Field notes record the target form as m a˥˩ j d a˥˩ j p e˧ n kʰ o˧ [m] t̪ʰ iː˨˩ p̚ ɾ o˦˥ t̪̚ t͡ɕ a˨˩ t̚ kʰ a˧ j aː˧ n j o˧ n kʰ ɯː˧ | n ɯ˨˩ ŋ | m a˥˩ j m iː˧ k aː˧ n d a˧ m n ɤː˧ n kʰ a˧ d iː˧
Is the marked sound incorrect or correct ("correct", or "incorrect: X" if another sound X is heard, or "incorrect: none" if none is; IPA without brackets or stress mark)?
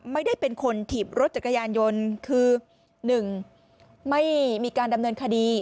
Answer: incorrect: n